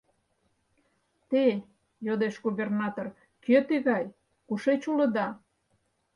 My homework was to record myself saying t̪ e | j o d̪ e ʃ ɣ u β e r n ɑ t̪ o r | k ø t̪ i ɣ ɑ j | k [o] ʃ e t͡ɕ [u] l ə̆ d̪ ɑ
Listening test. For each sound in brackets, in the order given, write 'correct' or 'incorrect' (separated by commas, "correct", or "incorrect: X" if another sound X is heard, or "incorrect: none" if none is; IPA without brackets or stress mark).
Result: incorrect: u, correct